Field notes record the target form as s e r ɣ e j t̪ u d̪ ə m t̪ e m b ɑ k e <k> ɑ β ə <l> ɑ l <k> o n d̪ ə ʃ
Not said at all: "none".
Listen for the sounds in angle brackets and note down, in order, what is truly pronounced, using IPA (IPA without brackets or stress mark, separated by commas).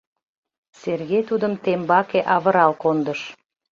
ʔ, ɾ, k